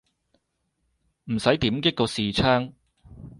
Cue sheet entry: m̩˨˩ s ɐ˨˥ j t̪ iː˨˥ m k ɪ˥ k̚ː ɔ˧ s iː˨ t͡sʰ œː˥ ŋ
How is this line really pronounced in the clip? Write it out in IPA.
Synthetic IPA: m̩˨˩ s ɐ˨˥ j t̪ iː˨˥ m k ɪ˥ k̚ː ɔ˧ s iː˨ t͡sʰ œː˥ ŋ

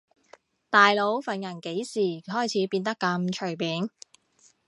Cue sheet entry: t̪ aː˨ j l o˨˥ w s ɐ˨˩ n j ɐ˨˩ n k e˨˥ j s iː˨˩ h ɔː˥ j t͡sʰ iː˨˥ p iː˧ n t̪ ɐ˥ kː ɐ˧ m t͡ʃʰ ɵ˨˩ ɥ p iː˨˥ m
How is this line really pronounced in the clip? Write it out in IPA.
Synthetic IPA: t̪ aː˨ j l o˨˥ w f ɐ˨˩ n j ɐ˨˩ n k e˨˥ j s iː˨˩ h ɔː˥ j t͡sʰ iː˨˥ p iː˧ n t̪ ɐ˥ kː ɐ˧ m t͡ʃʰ ɵ˨˩ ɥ p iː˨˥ n

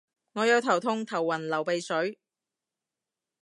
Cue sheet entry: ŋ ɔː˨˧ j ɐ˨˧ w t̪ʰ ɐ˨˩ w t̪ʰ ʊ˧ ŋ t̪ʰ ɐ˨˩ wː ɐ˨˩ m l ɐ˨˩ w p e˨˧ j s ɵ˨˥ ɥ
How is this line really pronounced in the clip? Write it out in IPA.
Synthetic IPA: ŋ ɔː˨˧ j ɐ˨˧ w t̪ʰ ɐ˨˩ w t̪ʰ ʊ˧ ŋ t̪ʰ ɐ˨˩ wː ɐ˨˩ n l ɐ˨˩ w p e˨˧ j s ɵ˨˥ ɥ

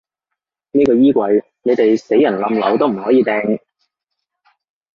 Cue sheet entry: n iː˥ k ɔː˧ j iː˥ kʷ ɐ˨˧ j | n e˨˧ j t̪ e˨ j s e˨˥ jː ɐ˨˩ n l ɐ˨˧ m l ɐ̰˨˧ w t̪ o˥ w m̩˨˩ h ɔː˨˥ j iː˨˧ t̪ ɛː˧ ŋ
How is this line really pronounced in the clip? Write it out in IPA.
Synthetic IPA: n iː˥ k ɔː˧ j iː˥ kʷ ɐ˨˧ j | n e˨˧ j t̪ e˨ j s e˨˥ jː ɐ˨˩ n l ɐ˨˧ m l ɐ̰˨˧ w t̪ o˥ w m̩˨˩ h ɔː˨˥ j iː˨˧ t̪ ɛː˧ ŋ

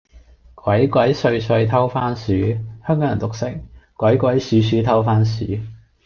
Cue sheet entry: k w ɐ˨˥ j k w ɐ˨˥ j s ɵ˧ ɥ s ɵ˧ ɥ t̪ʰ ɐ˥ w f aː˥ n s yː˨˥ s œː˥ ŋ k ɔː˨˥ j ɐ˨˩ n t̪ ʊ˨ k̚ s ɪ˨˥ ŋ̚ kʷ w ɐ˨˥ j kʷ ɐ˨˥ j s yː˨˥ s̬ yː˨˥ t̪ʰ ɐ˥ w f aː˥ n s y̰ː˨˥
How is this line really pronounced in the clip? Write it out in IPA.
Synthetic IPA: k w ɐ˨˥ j k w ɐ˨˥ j s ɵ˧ ɥ s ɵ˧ ɥ t̪ʰ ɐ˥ w f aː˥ n s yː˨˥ h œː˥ ŋ k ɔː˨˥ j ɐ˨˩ n t̪ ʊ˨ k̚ s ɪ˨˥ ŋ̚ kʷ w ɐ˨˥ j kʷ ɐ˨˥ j s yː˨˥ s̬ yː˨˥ t̪ʰ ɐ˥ w f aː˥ n s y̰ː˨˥

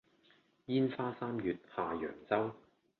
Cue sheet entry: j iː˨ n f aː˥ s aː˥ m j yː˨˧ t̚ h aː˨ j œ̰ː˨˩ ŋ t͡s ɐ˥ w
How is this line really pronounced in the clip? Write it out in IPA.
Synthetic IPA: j iː˥ n f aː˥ s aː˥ m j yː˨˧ t̚ h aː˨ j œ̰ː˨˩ ŋ t͡s ɐ˥ w

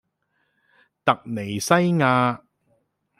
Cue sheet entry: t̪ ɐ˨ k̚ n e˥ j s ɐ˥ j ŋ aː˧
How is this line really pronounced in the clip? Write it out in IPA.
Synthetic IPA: t̪ ɐ˨ k̚ n e˨˩ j s ɐ˥ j ŋ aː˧

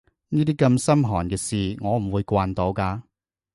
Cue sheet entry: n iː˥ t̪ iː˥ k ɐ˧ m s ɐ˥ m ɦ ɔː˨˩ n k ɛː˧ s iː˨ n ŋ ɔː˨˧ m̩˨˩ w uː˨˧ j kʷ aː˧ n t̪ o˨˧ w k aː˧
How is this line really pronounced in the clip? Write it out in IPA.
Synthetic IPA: n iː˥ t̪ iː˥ k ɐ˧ m s ɐ˥ m ɦ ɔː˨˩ n k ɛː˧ s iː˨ ŋ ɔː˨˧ m̩˨˩ w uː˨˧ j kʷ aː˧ n t̪ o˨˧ w k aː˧

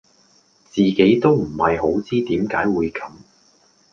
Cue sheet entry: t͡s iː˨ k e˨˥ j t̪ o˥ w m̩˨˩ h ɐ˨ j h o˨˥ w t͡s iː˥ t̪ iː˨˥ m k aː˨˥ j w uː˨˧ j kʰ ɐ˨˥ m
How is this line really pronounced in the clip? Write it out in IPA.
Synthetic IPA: t͡s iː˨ k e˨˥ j t̪ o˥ w m̩˨˩ h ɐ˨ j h o˨˥ w t͡s iː˥ t̪ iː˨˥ m k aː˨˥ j w uː˨˧ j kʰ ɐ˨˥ m

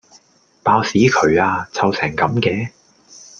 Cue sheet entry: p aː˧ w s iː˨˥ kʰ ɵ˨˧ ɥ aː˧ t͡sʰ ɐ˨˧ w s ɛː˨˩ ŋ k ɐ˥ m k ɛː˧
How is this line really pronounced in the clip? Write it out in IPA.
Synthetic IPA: p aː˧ w s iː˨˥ kʰ ɵ˨˧ ɥ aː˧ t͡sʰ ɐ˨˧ w s ɛː˨˩ ŋ k ɐ˨˥ m k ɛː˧

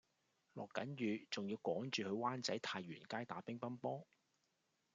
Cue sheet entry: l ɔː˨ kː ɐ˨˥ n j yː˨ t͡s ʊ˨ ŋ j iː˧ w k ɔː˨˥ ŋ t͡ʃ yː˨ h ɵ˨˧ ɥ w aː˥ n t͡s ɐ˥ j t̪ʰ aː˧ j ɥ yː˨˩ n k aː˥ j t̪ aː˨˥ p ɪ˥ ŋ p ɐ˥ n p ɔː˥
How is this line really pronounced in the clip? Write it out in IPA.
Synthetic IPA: l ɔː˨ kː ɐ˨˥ n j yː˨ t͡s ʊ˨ ŋ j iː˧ w k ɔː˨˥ ŋ t͡ʃ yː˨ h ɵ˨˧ ɥ w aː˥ n t͡s ɐ˨˥ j t̪ʰ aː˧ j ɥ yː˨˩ n k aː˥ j t̪ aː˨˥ p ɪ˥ ŋ p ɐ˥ n p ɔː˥

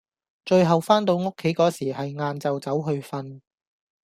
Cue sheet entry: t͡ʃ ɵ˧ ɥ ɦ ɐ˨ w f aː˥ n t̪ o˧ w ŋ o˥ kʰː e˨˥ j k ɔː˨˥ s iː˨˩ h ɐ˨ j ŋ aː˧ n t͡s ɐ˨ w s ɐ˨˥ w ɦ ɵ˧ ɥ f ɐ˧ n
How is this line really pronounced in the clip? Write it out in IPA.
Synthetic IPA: t͡ʃ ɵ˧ ɥ ɦ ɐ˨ w f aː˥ n t̪ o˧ w ŋ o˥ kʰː e˨˥ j k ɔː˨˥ s iː˨˩ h ɐ˨ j ŋ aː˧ n t͡s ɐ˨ w t͡s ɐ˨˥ w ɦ ɵ˧ ɥ f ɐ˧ n

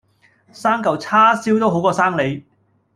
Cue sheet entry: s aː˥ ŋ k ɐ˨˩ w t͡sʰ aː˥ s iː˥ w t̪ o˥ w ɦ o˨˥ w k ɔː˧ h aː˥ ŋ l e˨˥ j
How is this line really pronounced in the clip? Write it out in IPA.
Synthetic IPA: s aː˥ ŋ k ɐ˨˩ w t͡sʰ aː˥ s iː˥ w t̪ o˥ w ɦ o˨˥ w k ɔː˧ s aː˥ ŋ l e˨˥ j

